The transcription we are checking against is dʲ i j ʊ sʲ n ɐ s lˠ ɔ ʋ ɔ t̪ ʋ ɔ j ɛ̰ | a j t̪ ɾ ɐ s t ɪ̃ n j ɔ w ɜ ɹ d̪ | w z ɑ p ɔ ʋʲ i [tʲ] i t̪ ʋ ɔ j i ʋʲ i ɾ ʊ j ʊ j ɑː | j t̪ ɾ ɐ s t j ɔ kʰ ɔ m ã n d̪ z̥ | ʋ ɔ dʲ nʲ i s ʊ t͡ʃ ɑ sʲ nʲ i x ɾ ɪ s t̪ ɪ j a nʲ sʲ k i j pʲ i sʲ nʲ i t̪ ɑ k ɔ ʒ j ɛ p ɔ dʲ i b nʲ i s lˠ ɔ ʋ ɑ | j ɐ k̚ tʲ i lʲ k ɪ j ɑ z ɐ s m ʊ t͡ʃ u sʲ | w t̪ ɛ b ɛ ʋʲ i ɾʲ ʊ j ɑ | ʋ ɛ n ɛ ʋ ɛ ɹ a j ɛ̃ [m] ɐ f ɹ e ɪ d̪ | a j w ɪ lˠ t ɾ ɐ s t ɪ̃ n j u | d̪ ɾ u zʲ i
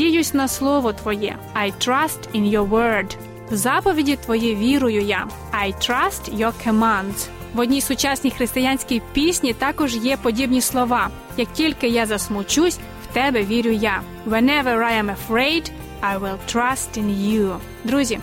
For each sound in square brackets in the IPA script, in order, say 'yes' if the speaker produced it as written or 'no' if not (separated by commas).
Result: no, yes